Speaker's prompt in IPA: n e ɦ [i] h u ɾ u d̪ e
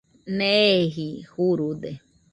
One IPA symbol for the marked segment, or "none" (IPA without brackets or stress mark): i